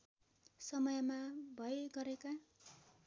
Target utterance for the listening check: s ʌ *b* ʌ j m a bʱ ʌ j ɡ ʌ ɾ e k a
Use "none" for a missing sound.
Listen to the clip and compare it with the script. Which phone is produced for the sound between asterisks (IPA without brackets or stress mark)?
m